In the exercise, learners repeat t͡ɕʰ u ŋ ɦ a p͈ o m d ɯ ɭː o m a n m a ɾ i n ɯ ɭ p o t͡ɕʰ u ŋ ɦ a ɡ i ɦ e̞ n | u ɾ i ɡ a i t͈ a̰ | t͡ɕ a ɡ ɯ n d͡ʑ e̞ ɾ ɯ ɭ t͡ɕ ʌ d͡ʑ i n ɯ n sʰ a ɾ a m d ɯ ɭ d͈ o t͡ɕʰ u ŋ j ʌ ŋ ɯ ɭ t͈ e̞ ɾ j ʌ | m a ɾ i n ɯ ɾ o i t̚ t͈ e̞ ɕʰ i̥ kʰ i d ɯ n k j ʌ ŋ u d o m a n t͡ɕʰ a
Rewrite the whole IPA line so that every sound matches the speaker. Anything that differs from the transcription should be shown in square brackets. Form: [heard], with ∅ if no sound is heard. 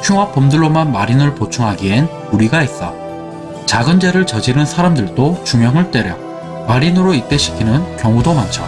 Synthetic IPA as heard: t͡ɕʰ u ŋ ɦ a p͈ o m d ɯ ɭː o m a n m a ɾ i n ɯ ɭ p o t͡ɕʰ u ŋ ɦ a ɡ i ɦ e̞ n | u ɾ i ɡ a i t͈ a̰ | t͡ɕ a ɡ ɯ n d͡ʑ e̞ ɾ ɯ ɭ t͡ɕ ʌ d͡ʑ i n ɯ n sʰ a ɾ a m d ɯ ɭ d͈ o [t͡ɕ] u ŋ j ʌ ŋ ɯ ɭ t͈ e̞ ɾ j ʌ | m a ɾ i n ɯ ɾ o i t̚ t͈ e̞ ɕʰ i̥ kʰ i [n] ɯ n k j ʌ ŋ u d o m a n t͡ɕʰ a